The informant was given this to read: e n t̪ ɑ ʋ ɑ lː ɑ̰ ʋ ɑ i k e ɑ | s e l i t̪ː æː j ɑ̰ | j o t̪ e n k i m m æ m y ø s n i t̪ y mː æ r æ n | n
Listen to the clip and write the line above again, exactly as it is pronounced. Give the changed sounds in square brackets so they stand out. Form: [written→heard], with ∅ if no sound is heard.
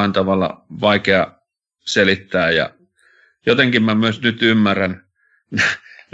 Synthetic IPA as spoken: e n t̪ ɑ ʋ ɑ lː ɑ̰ ʋ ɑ i k e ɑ | s e l i t̪ː æː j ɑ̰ | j o t̪ e [n→ŋ] k i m m æ m y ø s n [i→y] t̪ y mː æ r æ n | n